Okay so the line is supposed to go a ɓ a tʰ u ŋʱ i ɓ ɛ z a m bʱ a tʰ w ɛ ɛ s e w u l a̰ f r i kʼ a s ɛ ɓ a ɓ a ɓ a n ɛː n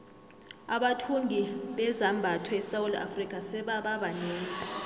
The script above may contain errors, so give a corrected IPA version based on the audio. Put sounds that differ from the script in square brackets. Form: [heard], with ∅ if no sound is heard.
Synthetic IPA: a ɓ a tʰ u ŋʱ i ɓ ɛ z a m bʱ a tʰ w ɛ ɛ s [a] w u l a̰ f r i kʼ a s ɛ ɓ a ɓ a ɓ a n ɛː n

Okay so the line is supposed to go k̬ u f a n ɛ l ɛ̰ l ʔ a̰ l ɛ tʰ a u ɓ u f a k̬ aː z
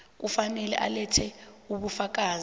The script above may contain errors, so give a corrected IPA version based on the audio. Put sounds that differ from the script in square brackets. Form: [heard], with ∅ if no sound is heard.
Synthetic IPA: k̬ u f a n ɛ l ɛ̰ [∅] ʔ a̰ l ɛ tʰ [ɛ] u ɓ u f a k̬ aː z

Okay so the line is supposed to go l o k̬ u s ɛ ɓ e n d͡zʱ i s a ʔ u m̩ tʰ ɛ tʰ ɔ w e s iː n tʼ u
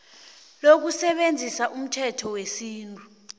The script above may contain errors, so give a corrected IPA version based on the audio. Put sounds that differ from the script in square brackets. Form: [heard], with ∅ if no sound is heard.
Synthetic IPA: l o k̬ u s ɛ ɓ e n d͡zʱ i s a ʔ u m̩ tʰ ɛ tʰ ɔ w e s iː n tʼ u

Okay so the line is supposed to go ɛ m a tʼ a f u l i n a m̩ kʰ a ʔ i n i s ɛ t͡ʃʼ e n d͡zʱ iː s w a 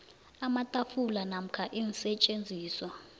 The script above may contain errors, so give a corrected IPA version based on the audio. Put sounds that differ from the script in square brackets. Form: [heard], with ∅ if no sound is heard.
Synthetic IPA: [a] m a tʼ a f u l [a] n a m̩ kʰ a ʔ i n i s ɛ t͡ʃʼ e n d͡zʱ iː s w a

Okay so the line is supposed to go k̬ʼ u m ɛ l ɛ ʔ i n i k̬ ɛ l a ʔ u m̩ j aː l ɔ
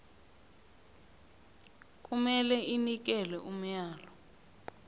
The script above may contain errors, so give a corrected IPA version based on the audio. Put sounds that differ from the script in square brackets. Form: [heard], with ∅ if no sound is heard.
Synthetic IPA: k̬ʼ u m ɛ l ɛ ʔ i n i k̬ ɛ l [ɛ] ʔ u m̩ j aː l ɔ

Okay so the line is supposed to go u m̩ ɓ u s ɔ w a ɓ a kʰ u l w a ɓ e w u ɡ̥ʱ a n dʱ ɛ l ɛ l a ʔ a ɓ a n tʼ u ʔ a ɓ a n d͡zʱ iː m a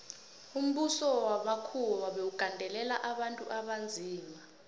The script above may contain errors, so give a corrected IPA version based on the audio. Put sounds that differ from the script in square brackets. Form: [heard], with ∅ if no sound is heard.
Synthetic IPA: u m̩ ɓ u s ɔ w a ɓ a kʰ u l w a ɓ e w u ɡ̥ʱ a n dʱ ɛ l ɛ l a ʔ a ɓ a n tʼ u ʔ a ɓ a n d͡zʱ iː m a

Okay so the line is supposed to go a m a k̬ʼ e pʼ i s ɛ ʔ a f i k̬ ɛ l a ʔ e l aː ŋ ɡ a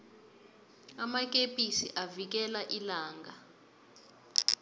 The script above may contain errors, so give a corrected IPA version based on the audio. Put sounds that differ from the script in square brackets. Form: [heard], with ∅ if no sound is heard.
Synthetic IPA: a m a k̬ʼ e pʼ i s [i] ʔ a [v] i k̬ ɛ l a ʔ [i] l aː ŋ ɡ a

